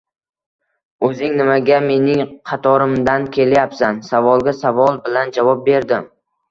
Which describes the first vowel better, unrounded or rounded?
rounded